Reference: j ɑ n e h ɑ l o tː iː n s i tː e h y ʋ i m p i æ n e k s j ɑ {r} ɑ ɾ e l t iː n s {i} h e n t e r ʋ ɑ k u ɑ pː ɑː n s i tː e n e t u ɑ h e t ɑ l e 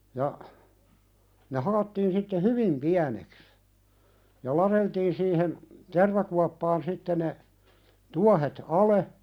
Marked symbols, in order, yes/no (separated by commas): no, no